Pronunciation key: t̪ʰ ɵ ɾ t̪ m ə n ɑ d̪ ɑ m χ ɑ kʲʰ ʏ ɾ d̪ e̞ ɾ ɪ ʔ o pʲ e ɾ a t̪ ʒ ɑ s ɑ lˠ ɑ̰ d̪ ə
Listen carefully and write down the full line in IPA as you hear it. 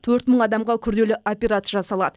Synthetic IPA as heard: t̪ʰ ɵ ɾ t̪ m ə ɴ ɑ d̪ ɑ m ʁ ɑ kʲʰ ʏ ɾ d̪ e̞ l ɪ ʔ o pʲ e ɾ a t̪ ʒ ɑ s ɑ lˠ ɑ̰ d̪ ə